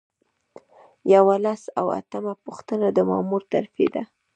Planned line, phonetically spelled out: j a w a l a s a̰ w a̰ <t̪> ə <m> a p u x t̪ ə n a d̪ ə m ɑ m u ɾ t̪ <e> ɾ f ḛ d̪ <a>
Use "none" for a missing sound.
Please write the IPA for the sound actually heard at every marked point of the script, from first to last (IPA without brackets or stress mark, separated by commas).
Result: t̪, m, a, a